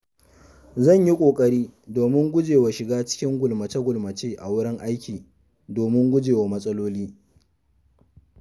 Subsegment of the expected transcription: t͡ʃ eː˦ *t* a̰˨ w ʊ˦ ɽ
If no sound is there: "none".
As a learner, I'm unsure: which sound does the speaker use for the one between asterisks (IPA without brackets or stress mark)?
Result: ʔ